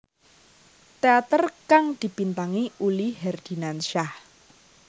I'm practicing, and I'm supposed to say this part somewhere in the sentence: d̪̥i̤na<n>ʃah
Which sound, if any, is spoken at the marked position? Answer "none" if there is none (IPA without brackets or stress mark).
n